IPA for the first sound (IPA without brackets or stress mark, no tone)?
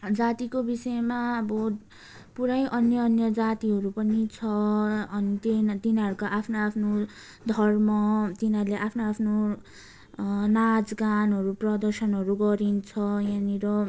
d͡z